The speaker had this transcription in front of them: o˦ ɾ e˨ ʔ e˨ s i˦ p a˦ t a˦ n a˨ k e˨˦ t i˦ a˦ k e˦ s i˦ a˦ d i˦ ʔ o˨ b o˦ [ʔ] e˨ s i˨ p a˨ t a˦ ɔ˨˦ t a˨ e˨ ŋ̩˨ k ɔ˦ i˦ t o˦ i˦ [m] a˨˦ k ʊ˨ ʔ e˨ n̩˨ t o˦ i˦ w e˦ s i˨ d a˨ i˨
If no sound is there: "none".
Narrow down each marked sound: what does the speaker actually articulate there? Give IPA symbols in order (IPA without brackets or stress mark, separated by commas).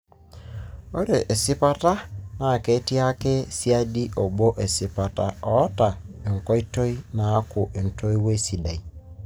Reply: ʔ, n